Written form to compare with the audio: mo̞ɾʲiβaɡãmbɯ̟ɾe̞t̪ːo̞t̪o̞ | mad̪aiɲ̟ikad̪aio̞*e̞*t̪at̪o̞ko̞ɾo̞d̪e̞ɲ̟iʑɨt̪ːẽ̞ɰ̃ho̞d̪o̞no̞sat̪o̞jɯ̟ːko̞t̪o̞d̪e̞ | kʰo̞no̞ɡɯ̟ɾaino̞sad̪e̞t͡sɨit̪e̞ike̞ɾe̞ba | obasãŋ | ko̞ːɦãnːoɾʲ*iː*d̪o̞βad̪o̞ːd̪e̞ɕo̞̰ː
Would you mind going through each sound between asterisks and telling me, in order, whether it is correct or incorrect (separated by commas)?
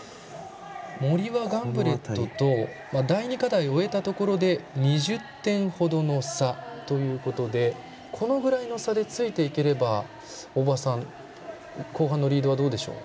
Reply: correct, correct